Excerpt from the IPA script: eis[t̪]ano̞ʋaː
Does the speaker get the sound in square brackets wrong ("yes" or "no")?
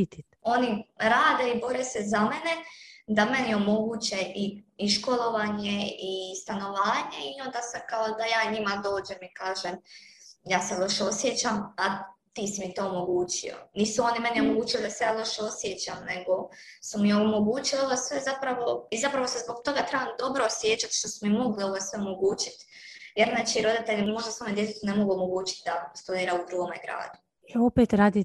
no